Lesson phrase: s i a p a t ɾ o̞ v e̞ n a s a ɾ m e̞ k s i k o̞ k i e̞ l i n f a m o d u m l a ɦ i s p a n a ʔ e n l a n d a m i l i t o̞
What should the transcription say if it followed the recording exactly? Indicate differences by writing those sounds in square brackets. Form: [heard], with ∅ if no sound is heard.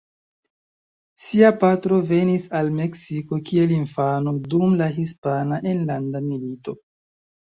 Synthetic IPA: s i a p a t ɾ o̞ v e̞ n [i] s a [l] m e̞ k s i k o̞ k i e̞ l i n f a [n] o d u m l a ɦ i s p a n a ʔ e n l a n d a m i l i t o̞